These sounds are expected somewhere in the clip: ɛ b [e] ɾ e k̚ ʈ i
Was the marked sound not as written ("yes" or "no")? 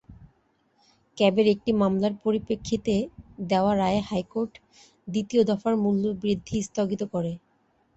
no